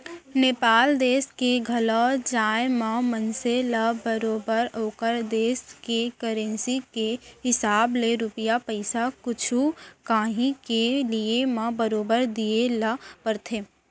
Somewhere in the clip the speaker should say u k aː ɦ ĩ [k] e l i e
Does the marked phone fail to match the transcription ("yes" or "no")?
no